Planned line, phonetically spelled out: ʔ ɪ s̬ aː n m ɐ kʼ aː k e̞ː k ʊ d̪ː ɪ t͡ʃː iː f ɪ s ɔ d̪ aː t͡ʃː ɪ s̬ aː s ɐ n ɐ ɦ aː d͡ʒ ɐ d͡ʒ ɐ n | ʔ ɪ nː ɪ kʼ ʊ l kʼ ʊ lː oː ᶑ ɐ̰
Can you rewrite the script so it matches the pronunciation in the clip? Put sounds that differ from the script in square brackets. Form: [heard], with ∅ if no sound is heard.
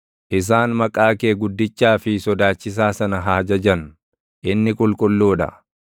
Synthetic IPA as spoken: ʔ ɪ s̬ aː n m ɐ kʼ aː k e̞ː [ɡ] ʊ d̪ː ɪ t͡ʃː [aː] f ɪ s ɔ d̪ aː t͡ʃː ɪ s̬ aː s ɐ n ɐ ɦ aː d͡ʒ ɐ d͡ʒ ɐ n | ʔ ɪ nː ɪ kʼ ʊ l kʼ ʊ lː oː ᶑ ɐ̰